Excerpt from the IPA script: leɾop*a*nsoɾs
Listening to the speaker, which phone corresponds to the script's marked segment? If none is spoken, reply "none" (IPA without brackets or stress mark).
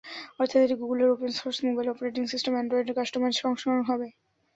e